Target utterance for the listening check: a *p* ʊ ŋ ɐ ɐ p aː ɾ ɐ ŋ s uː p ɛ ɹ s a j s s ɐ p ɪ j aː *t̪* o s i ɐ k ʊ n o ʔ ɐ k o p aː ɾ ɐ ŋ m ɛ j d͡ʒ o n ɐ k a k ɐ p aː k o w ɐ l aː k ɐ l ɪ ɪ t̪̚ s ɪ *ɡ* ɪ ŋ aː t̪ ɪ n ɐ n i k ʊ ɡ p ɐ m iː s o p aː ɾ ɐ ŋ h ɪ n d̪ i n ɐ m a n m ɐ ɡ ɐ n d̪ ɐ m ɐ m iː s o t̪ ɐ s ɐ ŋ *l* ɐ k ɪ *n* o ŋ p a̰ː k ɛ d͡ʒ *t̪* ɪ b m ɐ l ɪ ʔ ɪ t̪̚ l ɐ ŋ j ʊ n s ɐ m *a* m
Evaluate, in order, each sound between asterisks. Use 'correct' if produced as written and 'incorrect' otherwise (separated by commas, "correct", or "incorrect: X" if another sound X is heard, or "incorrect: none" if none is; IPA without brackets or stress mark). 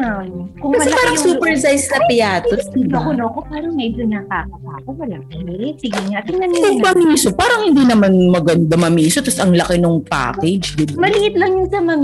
incorrect: k, correct, correct, correct, correct, incorrect: d̪, incorrect: ɐ